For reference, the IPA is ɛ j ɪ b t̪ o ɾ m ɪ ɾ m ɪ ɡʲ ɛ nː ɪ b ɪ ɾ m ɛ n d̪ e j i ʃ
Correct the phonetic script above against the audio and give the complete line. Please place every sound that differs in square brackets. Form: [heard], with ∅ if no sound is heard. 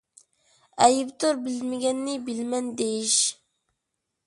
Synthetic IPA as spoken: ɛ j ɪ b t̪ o ɾ [b] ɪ [l] m ɪ ɡʲ ɛ nː ɪ b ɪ [l] m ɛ n d̪ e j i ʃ